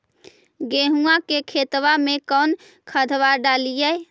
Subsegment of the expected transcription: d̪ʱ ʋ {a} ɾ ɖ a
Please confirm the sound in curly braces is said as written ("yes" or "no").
yes